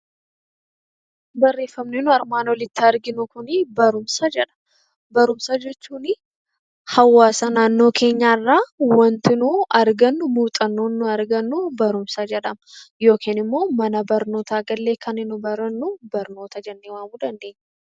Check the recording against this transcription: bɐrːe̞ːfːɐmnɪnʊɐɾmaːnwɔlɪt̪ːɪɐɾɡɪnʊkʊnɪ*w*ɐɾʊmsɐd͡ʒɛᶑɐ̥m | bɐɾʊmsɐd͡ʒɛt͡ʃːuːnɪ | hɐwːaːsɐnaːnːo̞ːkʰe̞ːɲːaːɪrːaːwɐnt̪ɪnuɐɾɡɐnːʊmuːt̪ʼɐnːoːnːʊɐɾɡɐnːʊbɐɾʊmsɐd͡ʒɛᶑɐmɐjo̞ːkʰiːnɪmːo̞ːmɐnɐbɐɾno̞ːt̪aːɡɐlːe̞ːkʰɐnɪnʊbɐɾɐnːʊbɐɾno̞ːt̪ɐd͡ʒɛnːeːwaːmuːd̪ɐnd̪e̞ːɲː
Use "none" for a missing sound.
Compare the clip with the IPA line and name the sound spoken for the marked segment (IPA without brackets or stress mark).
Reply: b